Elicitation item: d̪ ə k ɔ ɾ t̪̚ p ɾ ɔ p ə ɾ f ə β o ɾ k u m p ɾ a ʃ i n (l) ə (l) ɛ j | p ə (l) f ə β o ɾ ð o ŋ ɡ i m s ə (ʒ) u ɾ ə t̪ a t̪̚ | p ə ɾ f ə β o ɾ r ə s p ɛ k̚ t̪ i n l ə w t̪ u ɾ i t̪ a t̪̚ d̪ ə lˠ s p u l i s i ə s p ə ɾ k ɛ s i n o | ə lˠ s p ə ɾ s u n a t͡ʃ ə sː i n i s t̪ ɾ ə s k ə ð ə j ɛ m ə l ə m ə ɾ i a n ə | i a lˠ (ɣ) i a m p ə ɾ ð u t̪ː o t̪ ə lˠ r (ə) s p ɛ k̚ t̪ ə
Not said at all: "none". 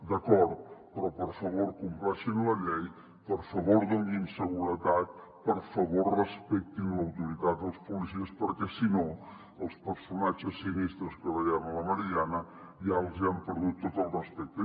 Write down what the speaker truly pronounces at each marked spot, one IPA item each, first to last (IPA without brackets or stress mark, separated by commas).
l, ʎ, ɾ, ɣ, z, ə